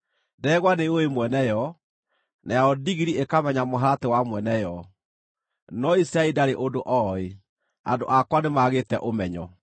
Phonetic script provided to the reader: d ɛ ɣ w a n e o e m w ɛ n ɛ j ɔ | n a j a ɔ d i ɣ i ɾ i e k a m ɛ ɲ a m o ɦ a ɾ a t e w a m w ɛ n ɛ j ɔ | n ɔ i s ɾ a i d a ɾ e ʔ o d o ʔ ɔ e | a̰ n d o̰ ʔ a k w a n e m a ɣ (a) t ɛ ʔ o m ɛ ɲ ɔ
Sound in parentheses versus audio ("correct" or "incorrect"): incorrect